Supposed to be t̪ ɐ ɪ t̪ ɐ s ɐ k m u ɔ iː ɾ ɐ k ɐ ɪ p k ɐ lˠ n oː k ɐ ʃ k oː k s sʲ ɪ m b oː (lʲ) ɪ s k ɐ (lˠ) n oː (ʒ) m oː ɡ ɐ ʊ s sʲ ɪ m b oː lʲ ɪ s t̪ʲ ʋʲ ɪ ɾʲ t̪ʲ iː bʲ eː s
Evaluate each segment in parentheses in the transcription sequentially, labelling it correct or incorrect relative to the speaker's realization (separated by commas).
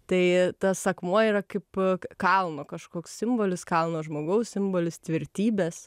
correct, correct, correct